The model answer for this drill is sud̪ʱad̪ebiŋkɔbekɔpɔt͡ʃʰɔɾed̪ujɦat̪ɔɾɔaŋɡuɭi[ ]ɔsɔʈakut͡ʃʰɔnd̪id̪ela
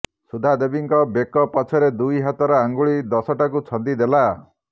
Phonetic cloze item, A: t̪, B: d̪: B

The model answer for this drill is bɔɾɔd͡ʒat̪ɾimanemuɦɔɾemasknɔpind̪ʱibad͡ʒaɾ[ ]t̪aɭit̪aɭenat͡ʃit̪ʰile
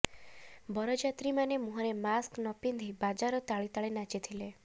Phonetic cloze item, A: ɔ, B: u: A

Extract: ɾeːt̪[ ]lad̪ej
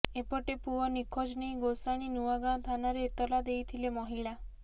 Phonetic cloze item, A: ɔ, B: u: A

